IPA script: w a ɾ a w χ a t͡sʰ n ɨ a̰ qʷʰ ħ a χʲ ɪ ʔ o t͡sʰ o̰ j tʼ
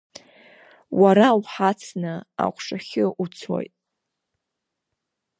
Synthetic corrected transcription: w a ɾ a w ħ a t͡sʰ n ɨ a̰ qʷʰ ʂ a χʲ ɪ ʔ u t͡sʰ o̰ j tʼ

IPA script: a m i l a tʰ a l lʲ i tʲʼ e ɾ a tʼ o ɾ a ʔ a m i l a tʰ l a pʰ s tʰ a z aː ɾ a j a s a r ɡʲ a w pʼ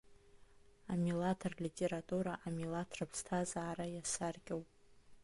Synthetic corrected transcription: a m i l a tʰ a r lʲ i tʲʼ e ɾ a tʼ u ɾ a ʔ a m i l a tʰ r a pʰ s tʰ a z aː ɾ a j a s a r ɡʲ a w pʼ

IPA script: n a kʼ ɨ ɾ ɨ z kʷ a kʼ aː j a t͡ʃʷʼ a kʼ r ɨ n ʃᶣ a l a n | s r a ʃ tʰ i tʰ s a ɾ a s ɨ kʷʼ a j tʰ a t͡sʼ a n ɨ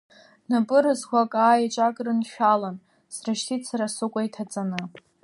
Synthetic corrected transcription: n a pʼ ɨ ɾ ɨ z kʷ a kʼ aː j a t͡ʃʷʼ a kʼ r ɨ n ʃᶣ a l a n | s r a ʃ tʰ i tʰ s a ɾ a s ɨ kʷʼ a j tʰ a t͡sʼ a n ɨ

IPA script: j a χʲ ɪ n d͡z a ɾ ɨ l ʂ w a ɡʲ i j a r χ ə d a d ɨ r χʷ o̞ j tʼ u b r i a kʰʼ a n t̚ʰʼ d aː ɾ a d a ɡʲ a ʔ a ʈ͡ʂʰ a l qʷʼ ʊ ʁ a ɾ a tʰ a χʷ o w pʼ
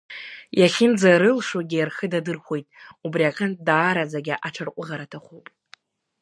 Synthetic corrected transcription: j a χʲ ɪ n d͡z a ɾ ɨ l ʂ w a ɡʲ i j a r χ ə d a d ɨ r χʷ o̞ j tʼ u b r i a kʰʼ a n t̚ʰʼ d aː ɾ a d͡z a ɡʲ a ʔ a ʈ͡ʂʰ a r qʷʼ ʊ ʁ a ɾ a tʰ a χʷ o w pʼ

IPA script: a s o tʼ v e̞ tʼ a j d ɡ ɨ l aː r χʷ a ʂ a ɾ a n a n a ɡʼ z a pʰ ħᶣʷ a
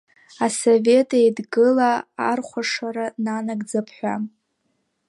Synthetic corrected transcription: a s o v e̞ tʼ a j d ɡ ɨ l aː r χʷ a ʂ a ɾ a n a n a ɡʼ d͡z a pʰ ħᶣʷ a

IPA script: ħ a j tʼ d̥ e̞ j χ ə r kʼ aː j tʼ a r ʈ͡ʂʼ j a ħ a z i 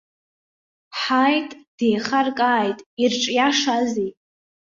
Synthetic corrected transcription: ħ a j tʼ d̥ e̞ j χ a r kʼ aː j tʼ i r ʈ͡ʂʼ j a ʂ a z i

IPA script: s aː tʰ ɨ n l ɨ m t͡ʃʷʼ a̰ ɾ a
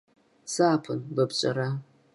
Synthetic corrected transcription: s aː pʰ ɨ n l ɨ b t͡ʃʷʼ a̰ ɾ a

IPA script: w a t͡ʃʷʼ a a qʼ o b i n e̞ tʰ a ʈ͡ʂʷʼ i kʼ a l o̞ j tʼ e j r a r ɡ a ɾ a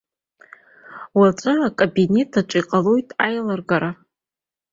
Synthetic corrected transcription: w a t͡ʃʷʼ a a kʼ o b i n e̞ tʰ a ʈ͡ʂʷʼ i qʼ a l o̞ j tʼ a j l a r ɡ a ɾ a

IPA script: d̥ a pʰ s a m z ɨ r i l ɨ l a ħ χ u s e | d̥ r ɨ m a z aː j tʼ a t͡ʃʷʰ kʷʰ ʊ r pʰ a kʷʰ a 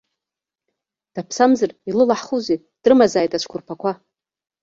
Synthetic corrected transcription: d̥ a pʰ s a m z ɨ r i l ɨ l a ħ χ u z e | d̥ r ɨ m a z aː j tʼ a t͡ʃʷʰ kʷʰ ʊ r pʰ a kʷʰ a

